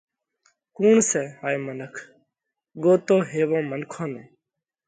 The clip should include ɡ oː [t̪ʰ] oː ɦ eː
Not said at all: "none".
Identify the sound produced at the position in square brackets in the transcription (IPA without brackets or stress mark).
t̪